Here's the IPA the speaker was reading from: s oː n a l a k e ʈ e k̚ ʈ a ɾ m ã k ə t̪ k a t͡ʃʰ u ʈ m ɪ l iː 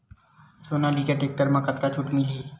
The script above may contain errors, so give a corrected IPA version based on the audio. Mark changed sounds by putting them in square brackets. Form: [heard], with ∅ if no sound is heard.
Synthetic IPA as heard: s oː n a l [i] k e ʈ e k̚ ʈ [ə] ɾ m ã k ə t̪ k a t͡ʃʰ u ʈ m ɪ l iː